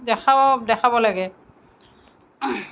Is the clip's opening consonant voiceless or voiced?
voiced